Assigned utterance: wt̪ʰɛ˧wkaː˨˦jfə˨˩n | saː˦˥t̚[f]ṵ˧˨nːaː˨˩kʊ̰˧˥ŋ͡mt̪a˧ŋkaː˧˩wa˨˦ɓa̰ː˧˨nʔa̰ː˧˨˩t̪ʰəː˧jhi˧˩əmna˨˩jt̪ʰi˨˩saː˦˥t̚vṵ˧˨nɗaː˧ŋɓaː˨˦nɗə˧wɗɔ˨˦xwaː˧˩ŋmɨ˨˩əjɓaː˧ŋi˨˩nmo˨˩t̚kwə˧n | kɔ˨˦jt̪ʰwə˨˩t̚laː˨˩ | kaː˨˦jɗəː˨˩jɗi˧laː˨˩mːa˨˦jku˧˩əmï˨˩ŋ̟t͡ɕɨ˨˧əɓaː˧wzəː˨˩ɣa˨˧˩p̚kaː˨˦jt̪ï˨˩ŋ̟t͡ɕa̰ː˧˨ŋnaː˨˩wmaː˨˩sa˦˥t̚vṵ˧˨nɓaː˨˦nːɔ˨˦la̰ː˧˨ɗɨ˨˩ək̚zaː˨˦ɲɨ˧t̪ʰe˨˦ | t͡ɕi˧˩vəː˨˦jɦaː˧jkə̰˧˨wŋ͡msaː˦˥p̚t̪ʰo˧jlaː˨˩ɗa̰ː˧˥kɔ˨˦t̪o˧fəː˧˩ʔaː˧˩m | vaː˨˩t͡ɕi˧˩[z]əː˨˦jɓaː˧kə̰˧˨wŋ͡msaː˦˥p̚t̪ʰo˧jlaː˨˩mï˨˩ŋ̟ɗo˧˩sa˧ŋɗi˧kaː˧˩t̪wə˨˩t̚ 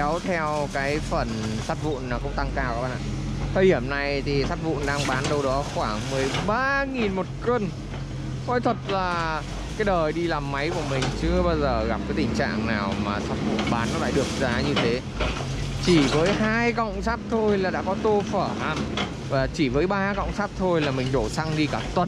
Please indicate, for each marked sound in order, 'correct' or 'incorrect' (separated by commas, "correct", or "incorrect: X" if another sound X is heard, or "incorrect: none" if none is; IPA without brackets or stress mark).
incorrect: v, incorrect: v